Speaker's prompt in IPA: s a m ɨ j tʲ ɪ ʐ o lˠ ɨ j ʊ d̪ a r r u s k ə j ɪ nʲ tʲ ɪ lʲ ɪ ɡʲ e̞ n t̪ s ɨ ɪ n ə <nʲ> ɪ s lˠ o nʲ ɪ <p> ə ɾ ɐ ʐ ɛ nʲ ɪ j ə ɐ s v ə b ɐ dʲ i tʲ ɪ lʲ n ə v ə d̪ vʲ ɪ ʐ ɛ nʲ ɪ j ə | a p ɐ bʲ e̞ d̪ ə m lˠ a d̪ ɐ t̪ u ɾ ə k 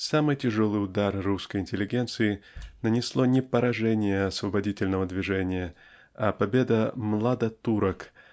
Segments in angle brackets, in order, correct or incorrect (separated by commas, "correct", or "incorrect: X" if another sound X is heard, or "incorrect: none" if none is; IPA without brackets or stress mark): correct, correct